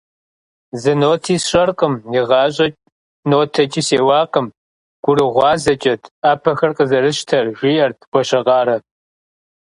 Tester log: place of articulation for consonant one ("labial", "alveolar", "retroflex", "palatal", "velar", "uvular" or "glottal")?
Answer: alveolar